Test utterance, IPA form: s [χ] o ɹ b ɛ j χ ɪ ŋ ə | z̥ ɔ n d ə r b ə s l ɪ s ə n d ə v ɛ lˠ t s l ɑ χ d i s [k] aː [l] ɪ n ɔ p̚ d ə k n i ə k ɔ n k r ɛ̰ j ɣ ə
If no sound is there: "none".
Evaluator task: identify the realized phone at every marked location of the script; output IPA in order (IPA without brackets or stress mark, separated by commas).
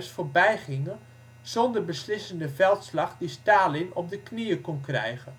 f, t, l